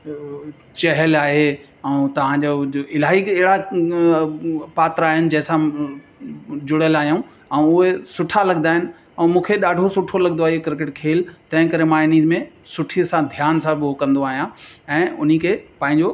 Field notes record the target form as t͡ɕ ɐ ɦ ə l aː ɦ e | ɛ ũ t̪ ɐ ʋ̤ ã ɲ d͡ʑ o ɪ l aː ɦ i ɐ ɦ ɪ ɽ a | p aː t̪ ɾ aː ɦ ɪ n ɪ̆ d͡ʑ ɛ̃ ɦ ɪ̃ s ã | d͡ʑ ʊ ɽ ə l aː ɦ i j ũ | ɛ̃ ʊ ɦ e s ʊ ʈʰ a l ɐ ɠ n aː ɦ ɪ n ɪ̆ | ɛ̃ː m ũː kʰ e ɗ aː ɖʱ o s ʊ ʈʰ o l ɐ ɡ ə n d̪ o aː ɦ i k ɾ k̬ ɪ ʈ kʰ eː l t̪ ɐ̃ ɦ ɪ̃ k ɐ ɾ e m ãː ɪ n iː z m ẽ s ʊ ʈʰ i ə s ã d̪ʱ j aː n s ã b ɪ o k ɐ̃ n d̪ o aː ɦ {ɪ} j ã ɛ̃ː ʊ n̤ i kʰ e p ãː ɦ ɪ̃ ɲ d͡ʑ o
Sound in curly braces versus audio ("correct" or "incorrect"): incorrect